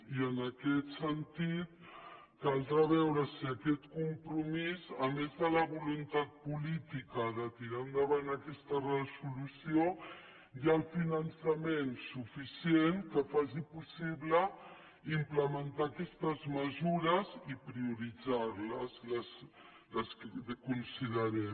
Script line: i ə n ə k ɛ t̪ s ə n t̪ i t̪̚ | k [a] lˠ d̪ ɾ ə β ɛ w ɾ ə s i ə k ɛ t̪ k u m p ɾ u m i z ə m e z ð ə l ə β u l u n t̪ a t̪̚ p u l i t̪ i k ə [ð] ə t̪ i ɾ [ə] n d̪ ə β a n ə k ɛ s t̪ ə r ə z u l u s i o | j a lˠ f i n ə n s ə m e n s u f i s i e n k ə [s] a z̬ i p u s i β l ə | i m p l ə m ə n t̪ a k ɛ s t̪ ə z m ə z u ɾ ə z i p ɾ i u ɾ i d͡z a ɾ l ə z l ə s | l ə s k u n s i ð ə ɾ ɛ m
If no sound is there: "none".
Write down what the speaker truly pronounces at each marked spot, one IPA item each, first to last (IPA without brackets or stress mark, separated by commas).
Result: a, ð, a, f